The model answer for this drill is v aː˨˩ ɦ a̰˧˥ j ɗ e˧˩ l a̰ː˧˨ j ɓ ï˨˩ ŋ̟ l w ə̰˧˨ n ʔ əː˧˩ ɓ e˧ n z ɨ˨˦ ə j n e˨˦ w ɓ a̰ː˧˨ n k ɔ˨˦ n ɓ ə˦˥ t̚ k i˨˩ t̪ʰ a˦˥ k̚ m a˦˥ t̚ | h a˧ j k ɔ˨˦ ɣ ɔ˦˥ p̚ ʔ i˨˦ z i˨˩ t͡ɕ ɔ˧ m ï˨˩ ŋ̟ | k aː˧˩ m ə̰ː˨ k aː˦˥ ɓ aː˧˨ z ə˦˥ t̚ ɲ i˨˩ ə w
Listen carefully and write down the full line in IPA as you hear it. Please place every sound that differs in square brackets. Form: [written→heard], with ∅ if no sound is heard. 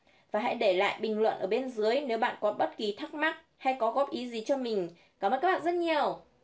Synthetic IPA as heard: v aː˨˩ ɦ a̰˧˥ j ɗ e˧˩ l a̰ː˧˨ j ɓ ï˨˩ ŋ̟ l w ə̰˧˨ n ʔ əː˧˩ ɓ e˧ n z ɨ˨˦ ə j n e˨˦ w ɓ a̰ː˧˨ n k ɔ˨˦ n ɓ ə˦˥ t̚ k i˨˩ t̪ʰ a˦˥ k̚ m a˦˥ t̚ | h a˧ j k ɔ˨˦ ɣ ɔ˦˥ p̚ ʔ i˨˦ z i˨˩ t͡ɕ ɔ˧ m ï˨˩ ŋ̟ | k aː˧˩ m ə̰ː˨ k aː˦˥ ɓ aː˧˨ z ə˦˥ t̚ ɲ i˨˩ ə w

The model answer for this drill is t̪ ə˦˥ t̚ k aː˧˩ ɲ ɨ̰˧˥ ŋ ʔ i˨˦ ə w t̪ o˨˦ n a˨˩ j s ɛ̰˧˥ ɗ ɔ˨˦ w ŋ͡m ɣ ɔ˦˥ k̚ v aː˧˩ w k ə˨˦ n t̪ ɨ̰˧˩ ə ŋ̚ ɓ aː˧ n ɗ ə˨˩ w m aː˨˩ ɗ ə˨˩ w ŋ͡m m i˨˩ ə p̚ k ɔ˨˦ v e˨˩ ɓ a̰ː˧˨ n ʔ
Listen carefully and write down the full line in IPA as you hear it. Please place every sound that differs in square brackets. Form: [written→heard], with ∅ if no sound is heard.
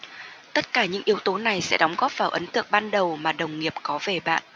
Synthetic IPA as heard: t̪ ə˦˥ t̚ k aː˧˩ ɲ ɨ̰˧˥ ŋ ʔ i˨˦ ə w t̪ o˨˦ n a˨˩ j s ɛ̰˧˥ ɗ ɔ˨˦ w ŋ͡m ɣ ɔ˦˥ [k̚→p̚] v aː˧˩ w [k→ʔ] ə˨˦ n t̪ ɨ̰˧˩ ə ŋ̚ ɓ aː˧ n ɗ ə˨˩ w m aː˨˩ ɗ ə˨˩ w ŋ͡m [m→ŋ] i˨˩ ə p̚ k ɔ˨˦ v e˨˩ ɓ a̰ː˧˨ n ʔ

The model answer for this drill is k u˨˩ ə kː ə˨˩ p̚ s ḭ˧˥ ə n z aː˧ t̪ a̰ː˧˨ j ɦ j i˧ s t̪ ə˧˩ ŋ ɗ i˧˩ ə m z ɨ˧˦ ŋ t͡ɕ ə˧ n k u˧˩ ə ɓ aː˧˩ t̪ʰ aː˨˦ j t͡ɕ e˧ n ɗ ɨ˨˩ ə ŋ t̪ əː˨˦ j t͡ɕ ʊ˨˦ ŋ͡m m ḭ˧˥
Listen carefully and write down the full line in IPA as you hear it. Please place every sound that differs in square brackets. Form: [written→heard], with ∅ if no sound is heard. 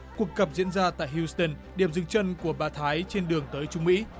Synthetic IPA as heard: k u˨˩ ə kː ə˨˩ p̚ [s→z] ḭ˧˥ ə n z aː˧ t̪ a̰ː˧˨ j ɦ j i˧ s t̪ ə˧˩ [ŋ→n] ɗ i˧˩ ə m z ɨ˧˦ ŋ t͡ɕ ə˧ n k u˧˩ ə ɓ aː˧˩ t̪ʰ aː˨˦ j t͡ɕ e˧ n ɗ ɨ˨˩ ə ŋ t̪ əː˨˦ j t͡ɕ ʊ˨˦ ŋ͡m m ḭ˧˥

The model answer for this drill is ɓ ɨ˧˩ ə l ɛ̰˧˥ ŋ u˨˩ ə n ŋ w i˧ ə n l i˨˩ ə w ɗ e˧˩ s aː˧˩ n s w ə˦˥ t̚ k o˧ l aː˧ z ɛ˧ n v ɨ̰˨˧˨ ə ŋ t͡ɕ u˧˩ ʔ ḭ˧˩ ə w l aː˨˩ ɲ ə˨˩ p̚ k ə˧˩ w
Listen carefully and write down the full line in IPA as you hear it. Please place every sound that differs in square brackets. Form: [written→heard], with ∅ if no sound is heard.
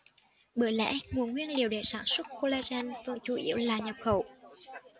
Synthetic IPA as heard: ɓ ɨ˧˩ ə l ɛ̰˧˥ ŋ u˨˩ ə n ŋ w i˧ ə n l i˨˩ ə w ɗ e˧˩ s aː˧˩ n s w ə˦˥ t̚ k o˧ l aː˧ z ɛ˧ n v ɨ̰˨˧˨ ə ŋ t͡ɕ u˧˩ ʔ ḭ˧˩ ə w l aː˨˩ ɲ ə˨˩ p̚ [k→x] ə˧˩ w

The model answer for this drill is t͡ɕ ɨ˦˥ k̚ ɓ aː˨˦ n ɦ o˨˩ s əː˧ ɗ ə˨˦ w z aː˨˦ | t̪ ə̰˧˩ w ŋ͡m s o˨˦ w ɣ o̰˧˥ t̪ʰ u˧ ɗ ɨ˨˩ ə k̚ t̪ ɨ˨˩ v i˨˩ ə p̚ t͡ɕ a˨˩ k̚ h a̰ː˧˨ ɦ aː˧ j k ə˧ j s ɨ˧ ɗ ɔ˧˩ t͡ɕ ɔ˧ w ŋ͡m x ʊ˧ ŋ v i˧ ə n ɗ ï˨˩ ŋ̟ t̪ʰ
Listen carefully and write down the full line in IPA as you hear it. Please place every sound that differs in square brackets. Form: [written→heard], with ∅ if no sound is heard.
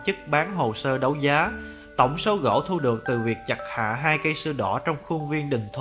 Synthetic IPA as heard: t͡ɕ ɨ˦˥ k̚ ɓ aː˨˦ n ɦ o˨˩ s əː˧ ɗ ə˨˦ w z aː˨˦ | t̪ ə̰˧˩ w ŋ͡m s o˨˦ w ɣ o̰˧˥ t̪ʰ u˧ ɗ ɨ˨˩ ə k̚ t̪ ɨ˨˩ v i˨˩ ə [p̚→k̚] t͡ɕ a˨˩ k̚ h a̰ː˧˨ ɦ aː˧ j k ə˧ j s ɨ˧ ɗ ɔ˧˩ t͡ɕ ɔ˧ w ŋ͡m x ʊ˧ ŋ v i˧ ə n ɗ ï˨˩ ŋ̟ t̪ʰ

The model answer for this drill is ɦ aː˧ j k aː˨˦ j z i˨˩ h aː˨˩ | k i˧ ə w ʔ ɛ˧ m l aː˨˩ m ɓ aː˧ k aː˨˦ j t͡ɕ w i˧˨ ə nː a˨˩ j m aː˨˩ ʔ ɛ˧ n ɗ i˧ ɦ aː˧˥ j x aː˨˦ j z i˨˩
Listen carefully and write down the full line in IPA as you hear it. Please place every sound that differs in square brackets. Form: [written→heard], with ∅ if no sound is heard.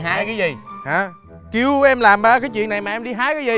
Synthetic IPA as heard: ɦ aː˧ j k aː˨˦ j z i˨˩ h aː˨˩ | k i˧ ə w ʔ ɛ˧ m l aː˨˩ m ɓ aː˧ k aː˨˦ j t͡ɕ w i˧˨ ə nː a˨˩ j m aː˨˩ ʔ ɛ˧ [n→m] ɗ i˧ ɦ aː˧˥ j [x→k] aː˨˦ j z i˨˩

